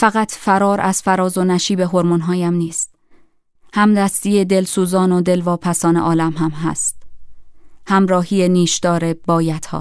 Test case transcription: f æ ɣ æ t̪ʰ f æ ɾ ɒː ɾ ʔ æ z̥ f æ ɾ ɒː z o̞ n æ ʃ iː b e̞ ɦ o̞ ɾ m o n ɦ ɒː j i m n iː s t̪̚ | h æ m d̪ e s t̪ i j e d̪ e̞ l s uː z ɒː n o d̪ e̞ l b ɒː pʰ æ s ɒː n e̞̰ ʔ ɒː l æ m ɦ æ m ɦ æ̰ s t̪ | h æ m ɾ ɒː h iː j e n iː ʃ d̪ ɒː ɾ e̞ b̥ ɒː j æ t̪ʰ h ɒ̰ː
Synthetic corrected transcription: f æ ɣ æ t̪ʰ f æ ɾ ɒː ɾ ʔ æ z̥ f æ ɾ ɒː z o̞ n æ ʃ iː b e̞ ɦ o̞ ɾ m o n ɦ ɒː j æ m n iː s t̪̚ | h æ m d̪ æ s t̪ i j e d̪ e̞ l s uː z ɒː n o d̪ e̞ l v ɒː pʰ æ s ɒː n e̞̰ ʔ ɒː l æ m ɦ æ m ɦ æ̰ s t̪ | h æ m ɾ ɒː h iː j e n iː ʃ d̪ ɒː ɾ e̞ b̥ ɒː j æ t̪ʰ h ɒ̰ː